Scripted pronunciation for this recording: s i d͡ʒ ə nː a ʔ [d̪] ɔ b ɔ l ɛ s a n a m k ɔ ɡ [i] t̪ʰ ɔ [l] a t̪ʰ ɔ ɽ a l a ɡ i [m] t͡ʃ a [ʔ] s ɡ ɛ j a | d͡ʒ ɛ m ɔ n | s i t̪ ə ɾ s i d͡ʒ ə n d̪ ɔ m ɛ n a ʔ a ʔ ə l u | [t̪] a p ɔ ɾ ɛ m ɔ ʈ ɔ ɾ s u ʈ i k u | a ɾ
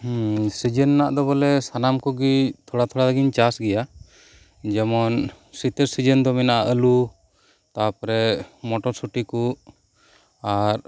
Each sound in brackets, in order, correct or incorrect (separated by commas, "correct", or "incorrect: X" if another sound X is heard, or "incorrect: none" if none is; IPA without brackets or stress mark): correct, correct, incorrect: ɽ, incorrect: ɲ, incorrect: none, correct